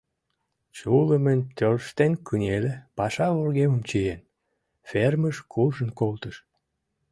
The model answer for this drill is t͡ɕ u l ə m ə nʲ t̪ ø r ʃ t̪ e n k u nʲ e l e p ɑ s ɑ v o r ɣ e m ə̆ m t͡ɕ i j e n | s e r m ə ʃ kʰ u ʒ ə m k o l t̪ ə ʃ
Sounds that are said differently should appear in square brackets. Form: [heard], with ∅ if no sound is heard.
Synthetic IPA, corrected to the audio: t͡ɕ u l ə m ə nʲ t̪ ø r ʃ t̪ e n k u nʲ e l e p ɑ [ʃ] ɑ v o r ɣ e m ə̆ m t͡ɕ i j e n | [f] e r m ə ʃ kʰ u ʒ ə [n] k o l t̪ ə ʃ